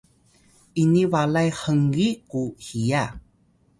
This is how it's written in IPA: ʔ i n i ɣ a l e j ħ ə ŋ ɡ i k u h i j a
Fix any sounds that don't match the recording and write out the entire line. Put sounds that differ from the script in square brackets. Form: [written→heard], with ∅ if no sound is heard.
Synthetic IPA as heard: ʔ i n i [ɣ→v] a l [e→a] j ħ ə ŋ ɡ i k u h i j a